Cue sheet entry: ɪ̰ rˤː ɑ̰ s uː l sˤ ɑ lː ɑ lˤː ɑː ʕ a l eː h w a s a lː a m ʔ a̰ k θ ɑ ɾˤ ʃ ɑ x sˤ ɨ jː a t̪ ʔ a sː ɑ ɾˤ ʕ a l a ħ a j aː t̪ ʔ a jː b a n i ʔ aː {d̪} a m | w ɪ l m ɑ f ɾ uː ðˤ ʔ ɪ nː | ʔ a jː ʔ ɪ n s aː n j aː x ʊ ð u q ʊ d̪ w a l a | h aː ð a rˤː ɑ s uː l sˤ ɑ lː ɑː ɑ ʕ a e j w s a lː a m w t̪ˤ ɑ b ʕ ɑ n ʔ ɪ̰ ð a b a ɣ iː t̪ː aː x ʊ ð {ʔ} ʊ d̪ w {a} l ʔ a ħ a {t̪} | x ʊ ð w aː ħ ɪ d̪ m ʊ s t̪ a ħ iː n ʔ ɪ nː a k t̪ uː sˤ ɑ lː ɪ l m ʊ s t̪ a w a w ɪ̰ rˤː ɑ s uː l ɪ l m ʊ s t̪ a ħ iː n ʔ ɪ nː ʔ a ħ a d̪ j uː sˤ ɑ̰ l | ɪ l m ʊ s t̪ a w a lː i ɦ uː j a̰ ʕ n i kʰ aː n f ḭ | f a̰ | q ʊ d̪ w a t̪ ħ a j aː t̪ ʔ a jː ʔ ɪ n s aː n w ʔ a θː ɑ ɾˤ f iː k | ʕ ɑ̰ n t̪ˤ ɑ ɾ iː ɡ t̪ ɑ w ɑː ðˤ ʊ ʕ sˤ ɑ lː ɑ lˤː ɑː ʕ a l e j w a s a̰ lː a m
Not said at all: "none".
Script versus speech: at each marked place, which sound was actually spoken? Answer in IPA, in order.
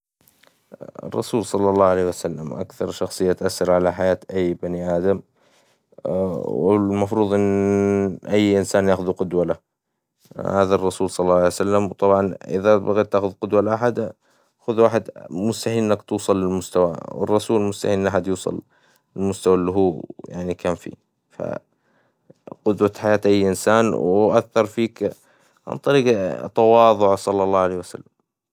d̪, q, a, d̪

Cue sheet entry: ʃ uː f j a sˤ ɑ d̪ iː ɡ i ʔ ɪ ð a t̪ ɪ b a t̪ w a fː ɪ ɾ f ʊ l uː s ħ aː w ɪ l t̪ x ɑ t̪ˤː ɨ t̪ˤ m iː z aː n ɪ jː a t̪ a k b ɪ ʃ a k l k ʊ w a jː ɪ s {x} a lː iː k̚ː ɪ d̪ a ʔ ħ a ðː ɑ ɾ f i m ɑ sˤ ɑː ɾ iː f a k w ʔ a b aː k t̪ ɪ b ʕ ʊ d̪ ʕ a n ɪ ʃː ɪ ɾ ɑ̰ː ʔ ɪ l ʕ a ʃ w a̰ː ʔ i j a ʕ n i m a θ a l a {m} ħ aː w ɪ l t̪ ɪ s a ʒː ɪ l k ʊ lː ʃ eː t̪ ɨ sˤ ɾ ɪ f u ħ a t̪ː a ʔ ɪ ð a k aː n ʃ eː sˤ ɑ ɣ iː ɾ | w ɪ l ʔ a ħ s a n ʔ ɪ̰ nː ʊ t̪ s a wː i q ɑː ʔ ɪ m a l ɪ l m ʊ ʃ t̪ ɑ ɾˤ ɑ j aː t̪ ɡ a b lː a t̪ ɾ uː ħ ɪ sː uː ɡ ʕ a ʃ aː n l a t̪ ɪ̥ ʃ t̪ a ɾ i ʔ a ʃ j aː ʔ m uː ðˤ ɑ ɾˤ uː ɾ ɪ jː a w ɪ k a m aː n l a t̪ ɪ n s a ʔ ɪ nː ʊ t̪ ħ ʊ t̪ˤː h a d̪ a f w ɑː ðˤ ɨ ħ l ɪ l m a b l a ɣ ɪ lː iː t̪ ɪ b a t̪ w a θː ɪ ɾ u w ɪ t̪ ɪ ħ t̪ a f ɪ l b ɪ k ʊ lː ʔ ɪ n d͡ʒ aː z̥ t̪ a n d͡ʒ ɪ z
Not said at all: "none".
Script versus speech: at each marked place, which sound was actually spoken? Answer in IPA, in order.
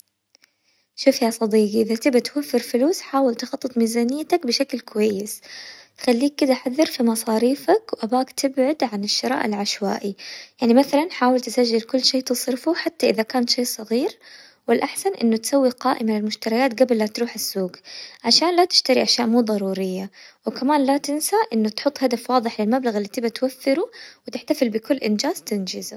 x, n

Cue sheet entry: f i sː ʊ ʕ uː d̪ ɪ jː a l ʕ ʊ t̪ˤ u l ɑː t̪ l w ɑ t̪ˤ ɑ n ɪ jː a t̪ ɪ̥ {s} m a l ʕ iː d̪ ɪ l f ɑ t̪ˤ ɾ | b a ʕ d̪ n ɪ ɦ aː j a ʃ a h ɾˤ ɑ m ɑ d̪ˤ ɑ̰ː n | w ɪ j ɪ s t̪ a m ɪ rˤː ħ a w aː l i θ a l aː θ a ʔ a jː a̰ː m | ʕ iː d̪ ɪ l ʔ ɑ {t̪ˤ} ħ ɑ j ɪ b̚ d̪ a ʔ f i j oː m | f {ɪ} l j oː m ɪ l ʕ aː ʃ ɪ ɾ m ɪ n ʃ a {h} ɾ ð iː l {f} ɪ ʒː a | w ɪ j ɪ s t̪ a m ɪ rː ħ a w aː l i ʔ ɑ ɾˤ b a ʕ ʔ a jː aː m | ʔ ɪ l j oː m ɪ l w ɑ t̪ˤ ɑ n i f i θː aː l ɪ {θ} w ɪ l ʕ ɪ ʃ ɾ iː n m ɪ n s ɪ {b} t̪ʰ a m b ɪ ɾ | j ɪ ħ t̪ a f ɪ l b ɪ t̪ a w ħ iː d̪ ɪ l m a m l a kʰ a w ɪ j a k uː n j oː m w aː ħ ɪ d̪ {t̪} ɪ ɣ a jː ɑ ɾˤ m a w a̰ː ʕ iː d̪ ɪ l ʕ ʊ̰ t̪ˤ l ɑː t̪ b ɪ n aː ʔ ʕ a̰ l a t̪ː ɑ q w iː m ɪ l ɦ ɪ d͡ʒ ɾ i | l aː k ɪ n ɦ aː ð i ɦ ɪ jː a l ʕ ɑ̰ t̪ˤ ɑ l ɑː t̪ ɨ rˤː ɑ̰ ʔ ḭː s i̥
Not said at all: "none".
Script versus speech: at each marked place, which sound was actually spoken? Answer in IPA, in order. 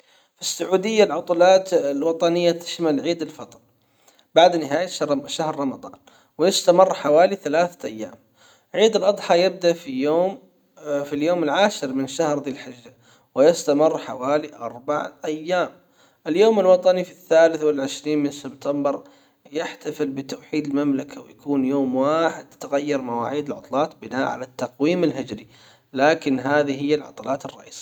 ʃ, d̪ˤ, i, h, ħ, θ, b, t̪

